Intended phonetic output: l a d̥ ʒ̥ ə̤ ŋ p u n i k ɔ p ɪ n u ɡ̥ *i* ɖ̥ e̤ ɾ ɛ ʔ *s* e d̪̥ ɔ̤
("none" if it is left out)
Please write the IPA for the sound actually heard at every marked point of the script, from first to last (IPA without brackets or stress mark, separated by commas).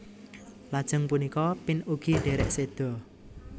i, s